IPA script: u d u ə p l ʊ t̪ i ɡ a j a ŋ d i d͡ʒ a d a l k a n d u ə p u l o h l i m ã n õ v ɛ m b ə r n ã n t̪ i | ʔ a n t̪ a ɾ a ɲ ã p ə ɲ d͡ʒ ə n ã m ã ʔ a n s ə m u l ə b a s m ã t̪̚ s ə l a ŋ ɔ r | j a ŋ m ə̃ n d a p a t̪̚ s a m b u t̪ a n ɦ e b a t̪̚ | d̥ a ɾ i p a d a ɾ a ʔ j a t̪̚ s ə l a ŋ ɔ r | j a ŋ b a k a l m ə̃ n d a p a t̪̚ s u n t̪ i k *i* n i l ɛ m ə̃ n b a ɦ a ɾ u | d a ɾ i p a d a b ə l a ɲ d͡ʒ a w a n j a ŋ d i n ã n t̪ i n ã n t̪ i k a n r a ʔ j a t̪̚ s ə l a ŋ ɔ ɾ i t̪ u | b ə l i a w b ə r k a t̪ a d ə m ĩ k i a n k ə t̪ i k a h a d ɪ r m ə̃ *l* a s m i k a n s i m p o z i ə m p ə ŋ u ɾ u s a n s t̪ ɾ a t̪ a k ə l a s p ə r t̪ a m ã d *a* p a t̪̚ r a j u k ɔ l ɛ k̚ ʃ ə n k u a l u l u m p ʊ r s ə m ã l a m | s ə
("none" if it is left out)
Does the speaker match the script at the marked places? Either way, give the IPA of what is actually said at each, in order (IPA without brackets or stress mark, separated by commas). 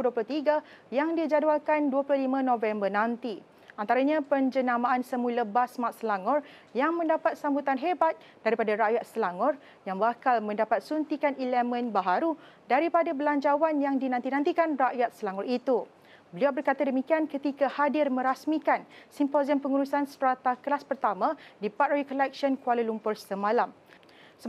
a, ɾ, i